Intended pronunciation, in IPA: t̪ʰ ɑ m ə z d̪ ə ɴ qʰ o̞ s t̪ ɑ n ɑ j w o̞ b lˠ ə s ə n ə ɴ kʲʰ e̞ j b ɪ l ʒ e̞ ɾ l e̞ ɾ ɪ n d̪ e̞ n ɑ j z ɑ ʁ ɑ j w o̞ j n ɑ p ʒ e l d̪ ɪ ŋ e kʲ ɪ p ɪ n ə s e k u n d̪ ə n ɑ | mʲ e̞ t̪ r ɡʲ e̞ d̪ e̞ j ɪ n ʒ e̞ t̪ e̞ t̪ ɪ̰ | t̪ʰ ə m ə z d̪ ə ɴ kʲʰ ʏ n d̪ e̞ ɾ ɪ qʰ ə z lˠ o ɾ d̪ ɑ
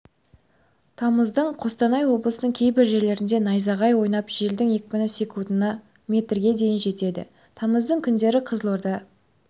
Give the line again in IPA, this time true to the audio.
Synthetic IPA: t̪ʰ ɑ m ə z d̪ ə ɴ qʰ o̞ s t̪ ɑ n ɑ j w o̞ b lˠ ə s ə n ə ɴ kʲʰ e̞ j b ɪ ɾ ʒ e̞ ɾ l e̞ ɾ ɪ n d̪ e̞ n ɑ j z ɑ ʁ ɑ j w o̞ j n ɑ p ʒ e l d̪ ɪ ŋ e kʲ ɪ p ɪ n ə s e k u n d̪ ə n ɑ | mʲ e̞ t̪ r ɡʲ e̞ d̪ e̞ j ɪ n ʒ e̞ t̪ e̞ d̪ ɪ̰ | t̪ʰ ɑ m ə z d̪ ə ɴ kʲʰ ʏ n d̪ e̞ ɾ ɪ qʰ ə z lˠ o ɾ d̪ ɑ

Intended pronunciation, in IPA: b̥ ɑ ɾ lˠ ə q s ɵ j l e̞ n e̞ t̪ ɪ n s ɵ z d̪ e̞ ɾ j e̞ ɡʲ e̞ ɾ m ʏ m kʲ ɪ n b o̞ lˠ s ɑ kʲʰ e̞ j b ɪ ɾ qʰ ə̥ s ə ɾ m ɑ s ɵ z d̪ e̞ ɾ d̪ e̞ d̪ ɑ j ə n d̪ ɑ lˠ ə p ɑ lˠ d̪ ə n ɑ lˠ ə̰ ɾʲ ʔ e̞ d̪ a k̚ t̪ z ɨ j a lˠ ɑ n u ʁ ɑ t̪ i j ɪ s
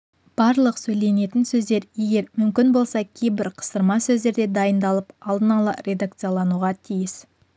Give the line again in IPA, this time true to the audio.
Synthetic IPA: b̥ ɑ ɾ lˠ ə q s ɵ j l e̞ n e̞ t̪ ɪ n s ɵ z d̪ e̞ ɾ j e̞ ɡʲ e̞ ɾ m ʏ m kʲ ɪ n b o̞ lˠ s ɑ kʲʰ e̞ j b ɪ ɾ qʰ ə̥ s ə ɾ m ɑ s ɵ z d̪ e̞ ɾ d̪ e̞ d̪ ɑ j ə n d̪ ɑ lˠ ə p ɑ lˠ d̪ ə n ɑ lˠ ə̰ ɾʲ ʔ e̞ d̪ a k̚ t̪ s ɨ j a lˠ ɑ n u ʁ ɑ t̪ʰ i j ɪ s

